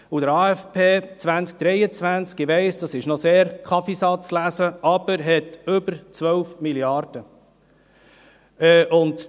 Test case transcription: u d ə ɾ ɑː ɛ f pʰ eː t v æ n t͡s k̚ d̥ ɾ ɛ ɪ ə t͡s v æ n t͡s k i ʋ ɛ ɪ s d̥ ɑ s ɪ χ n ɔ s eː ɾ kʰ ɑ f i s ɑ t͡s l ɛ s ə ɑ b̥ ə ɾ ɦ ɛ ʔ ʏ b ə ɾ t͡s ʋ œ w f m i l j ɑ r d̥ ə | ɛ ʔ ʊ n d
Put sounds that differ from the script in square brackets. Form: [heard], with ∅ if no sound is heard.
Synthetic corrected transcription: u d ə ɾ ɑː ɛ f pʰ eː [t͡s] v æ n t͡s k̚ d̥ ɾ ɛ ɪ ə t͡s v æ n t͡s k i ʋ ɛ ɪ s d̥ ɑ s ɪ [ʃ] n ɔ s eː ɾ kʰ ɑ f i s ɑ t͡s l [æ] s ə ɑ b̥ ə ɾ ɦ ɛ [t] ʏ b ə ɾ t͡s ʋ œ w f m i l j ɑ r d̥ ə | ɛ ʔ ʊ n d

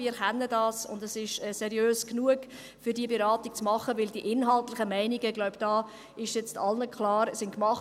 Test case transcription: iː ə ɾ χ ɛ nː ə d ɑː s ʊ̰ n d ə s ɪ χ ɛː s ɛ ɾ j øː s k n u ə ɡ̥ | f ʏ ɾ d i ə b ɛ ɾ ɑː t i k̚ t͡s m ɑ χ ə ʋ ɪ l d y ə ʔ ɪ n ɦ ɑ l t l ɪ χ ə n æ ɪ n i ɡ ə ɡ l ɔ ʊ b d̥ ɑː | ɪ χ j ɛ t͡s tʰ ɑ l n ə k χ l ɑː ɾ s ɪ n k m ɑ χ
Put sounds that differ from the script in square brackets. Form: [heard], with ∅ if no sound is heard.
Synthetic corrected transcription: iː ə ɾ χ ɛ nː ə d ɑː s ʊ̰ n d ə s ɪ [ʃ] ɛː s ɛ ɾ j øː s k n u ə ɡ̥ | f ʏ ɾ d i ə b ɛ ɾ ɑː t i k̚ t͡s m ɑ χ ə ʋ ɪ l d [i] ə ʔ ɪ n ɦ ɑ l t l ɪ χ ə [m] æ ɪ n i ɡ ə ɡ l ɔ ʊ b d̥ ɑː | ɪ [ʃ] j ɛ t͡s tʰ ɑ l n ə k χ l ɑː ɾ s ɪ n k m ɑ χ

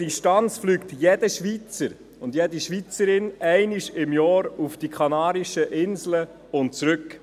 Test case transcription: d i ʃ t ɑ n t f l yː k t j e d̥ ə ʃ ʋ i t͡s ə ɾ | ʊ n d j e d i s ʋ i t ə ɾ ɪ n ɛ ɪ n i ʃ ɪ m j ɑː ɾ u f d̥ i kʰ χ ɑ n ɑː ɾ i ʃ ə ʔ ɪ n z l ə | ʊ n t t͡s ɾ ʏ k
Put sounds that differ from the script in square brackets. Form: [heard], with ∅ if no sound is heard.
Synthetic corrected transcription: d i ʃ t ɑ n [t͡s] f l yː k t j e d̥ ə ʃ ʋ i t͡s ə ɾ | ʊ n d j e d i [ʃ] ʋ i [t͡s] ə ɾ ɪ n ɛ ɪ n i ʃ ɪ m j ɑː ɾ u f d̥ i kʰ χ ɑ n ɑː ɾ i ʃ ə ʔ ɪ n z l ə | ʊ n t t͡s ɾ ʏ k

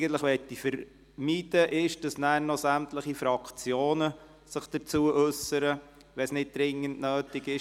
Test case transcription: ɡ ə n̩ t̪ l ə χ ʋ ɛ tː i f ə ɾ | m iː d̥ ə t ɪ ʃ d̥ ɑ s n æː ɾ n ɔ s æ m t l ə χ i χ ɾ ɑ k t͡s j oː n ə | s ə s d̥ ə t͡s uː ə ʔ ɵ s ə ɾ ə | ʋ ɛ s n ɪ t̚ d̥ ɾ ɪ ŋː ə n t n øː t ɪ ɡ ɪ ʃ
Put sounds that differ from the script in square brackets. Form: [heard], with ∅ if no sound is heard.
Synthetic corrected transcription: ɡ ə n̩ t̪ l ə χ ʋ ɛ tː i f ə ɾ | m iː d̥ ə [ʔ] ɪ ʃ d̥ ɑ s n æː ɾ n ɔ s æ m t l ə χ i [f] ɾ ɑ k t͡s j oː n ə | s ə [χ] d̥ ə t͡s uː ə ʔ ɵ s ə ɾ ə | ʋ ɛ s n ɪ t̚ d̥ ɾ ɪ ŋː ə n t n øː t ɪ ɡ ɪ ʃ

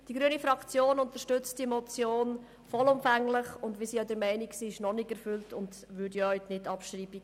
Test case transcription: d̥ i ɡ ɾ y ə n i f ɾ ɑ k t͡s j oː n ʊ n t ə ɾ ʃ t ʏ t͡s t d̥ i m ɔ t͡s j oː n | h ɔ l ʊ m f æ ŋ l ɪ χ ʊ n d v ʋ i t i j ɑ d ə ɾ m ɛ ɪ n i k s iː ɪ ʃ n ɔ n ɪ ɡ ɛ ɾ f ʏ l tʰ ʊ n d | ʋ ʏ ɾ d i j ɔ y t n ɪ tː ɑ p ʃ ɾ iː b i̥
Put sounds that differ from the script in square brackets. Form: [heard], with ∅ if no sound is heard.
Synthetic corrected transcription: d̥ i ɡ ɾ y ə n i f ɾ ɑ k t͡s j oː n ʊ n t ə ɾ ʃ t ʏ t͡s t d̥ i m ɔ t͡s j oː n | [f] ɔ l ʊ m f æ ŋ l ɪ χ ʊ n d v ʋ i [s] i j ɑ d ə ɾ m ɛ ɪ n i k s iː ɪ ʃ n ɔ n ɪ ɡ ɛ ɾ f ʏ l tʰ ʊ n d | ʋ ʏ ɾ d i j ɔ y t n ɪ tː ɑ p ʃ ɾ iː b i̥

